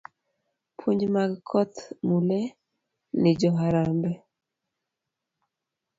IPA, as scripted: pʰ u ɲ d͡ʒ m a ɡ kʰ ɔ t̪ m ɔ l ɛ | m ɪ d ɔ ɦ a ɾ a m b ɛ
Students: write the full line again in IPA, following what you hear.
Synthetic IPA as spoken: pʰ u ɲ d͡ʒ m a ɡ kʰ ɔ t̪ m u l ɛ | n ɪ d͡ʒ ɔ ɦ a ɾ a m b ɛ